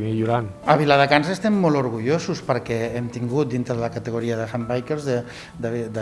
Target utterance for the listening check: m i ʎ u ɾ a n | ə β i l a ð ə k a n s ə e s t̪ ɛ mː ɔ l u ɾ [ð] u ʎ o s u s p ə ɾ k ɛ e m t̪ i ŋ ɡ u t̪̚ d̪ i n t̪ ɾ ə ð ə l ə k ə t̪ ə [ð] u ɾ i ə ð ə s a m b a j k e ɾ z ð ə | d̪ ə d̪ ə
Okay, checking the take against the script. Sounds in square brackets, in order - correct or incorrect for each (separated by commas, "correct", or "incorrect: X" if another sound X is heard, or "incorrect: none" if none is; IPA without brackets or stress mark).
incorrect: ɣ, incorrect: ɣ